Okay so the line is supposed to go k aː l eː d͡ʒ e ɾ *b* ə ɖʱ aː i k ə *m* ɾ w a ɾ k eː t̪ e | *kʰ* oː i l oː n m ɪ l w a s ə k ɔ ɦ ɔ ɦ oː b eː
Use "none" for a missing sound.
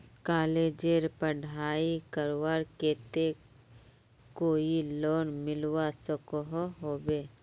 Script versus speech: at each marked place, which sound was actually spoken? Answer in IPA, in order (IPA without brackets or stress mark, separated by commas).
p, none, k